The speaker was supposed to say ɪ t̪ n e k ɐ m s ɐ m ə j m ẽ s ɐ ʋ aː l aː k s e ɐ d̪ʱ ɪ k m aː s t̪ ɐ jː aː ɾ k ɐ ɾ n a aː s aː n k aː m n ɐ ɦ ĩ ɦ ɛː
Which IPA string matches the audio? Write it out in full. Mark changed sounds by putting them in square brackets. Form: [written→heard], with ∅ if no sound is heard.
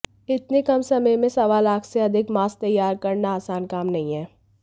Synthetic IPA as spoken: ɪ t̪ n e k ɐ m s ɐ m ə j m ẽ s ɐ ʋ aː l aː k s e ɐ d̪ʱ ɪ k m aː s t̪ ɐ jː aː ɾ k ɐ ɾ n a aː s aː n k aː m n ɐ ɦ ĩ ɦ ɛː